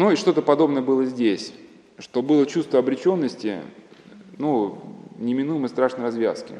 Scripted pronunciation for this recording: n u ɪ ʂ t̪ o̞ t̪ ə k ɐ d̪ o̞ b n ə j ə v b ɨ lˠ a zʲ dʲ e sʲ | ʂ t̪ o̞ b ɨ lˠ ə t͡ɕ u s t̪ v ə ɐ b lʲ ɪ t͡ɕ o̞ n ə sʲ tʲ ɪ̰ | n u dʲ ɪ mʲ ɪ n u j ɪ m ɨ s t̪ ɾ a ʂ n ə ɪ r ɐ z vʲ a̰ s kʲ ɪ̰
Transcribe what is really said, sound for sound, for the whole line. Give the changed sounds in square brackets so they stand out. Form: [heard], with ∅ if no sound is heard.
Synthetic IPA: n u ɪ ʂ t̪ o̞ t̪ ə [p] ɐ d̪ o̞ b n ə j ə [∅] b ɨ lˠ [ə] zʲ dʲ e sʲ | ʂ t̪ o̞ b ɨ lˠ ə t͡ɕ u s t̪ v ə ɐ b [ɾʲ] ɪ t͡ɕ o̞ [nː] ə sʲ tʲ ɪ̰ | n u [nʲ] ɪ mʲ ɪ n u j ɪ m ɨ s t̪ ɾ a ʂ n ə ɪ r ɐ z vʲ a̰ s kʲ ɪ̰